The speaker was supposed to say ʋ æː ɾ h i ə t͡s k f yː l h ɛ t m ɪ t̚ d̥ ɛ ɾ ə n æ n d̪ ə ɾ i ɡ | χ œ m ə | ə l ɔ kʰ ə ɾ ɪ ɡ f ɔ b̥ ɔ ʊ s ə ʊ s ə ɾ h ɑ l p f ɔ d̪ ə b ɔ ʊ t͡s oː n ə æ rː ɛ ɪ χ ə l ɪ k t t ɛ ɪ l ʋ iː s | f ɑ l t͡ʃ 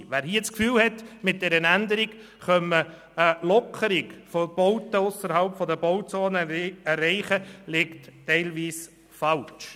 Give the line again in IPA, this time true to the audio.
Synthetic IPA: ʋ æː ɾ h i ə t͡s k f yː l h ɛ t m ɪ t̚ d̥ ɛ ɾ ə n æ n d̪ ə ɾ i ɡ | χ œ m ə | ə l ɔ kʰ ə ɾ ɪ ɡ f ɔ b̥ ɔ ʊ t ə ʊ s ə ɾ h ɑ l p f ɔ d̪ ə b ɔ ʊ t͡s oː n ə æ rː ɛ ɪ χ ə l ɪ k t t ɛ ɪ l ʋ iː s | f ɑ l t͡ʃ

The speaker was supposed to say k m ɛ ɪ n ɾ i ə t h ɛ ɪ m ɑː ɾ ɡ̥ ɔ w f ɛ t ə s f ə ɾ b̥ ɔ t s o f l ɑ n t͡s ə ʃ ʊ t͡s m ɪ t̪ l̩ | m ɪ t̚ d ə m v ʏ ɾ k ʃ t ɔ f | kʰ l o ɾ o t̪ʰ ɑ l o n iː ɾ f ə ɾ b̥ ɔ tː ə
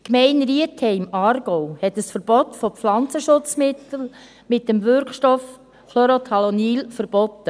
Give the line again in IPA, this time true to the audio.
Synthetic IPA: k m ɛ ɪ n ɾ i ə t h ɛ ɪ m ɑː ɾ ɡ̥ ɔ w h ɛ t ə s f ə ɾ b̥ ɔ t f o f l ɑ n t͡s ə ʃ ʊ t͡s m ɪ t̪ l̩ | m ɪ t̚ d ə m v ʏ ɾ k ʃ t ɔ f | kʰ l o ɾ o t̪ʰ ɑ l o n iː l f ə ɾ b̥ ɔ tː ə

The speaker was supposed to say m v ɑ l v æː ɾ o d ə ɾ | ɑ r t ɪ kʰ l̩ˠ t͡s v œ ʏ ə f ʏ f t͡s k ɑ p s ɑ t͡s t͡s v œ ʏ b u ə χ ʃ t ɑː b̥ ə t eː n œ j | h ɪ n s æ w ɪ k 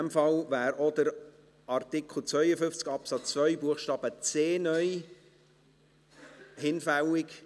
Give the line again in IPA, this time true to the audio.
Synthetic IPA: m f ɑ l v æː ɾ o d ə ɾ | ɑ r t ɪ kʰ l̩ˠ t͡s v œ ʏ ə f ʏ f t͡s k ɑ p s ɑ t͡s t͡s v œ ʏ b u ə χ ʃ t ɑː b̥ ə t͡s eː n œ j | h ɪ n f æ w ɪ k

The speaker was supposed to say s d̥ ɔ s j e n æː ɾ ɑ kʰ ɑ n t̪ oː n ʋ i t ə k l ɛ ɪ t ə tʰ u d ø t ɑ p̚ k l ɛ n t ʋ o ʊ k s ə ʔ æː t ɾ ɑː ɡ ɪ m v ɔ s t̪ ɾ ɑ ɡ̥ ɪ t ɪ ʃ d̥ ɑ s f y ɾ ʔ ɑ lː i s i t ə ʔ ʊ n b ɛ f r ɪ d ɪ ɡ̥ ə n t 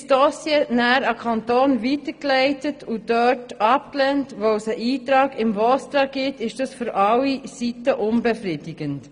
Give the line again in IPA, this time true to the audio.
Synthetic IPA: s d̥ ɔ s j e n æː ɾ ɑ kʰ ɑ n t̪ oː n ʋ i t ə k l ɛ ɪ t ə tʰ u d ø t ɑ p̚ k l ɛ n t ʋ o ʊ s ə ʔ iː t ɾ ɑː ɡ ɪ m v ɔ s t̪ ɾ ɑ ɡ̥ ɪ t ɪ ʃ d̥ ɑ s f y ɾ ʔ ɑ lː i s i t ə ʔ ʊ n b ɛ f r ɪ d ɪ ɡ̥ ə n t

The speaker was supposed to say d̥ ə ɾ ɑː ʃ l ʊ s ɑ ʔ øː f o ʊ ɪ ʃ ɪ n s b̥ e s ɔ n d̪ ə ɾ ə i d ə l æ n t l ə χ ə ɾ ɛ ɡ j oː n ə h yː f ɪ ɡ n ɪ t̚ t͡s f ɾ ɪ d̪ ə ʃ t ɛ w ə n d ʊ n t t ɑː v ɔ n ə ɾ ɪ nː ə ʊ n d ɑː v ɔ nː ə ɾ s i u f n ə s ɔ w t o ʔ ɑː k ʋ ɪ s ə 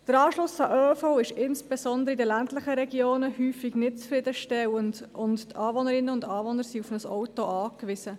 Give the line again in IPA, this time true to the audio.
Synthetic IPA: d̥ ə ɾ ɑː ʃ l ʊ s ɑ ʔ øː f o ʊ ɪ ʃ ɪ n s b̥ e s ɔ n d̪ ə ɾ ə i d ə l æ n t l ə χ ə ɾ ɛ ɡ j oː n ə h yː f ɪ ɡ n ɪ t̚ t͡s f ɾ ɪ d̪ ə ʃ t ɛ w ə n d ʊ n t t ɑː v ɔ n ə ɾ ɪ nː ə ʊ n d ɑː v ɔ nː ə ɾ s i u f n ə s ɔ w t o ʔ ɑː k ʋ ɪ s ə

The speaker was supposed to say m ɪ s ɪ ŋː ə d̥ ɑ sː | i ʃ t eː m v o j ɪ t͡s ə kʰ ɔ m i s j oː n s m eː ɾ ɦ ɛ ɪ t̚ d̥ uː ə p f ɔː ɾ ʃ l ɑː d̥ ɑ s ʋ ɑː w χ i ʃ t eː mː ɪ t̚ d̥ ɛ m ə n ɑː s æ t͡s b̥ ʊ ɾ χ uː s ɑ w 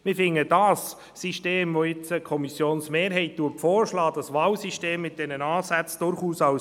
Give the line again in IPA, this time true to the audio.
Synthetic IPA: m ɪ f ɪ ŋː ə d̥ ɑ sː | i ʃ t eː m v o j ɪ t͡s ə kʰ ɔ m i s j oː n s m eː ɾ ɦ ɛ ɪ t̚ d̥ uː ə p f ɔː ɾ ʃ l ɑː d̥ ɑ s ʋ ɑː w s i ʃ t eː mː ɪ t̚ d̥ ɛ n ə n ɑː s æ t͡s d̥ ʊ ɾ χ uː s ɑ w

